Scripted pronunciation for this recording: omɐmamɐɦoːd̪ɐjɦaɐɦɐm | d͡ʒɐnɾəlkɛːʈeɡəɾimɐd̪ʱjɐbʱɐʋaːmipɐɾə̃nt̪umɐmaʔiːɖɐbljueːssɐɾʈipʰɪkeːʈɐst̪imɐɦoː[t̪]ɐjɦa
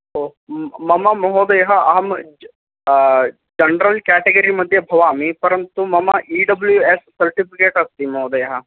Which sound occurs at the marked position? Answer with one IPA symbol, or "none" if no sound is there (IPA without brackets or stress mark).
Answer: d̪